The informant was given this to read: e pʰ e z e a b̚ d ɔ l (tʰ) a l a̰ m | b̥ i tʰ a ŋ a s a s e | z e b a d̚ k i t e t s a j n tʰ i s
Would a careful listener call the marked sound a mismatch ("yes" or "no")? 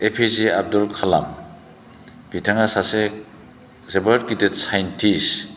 yes